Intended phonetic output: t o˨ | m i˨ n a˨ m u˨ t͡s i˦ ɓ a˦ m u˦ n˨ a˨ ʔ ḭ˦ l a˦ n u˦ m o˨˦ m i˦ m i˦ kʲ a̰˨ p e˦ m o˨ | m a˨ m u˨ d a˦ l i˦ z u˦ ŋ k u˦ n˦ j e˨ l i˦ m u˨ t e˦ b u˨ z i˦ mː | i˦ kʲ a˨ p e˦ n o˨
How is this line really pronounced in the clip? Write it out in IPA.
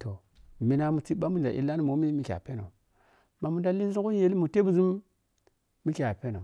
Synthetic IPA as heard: t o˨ | m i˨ n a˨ m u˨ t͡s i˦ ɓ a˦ m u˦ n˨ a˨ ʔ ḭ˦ l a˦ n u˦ m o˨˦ m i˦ m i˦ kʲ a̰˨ p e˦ n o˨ | m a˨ m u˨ d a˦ l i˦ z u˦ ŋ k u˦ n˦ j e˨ l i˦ m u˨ t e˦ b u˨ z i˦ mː | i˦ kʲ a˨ p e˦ n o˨